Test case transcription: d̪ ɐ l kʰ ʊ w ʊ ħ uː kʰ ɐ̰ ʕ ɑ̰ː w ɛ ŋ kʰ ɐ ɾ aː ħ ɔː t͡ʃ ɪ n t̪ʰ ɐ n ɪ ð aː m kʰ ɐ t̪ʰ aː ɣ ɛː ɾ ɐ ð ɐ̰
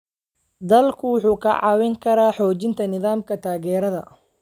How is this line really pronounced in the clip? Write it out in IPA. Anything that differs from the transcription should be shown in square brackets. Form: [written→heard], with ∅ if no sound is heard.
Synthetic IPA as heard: d̪ ɐ l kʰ ʊ w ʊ ħ uː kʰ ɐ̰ ʕ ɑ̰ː w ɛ ŋ kʰ ɐ ɾ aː ħ ɔː t͡ʃ ɪ n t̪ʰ ɐ n ɪ ð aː m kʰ ɐ t̪ʰ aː ɣ ɛː ɾ ɐ ð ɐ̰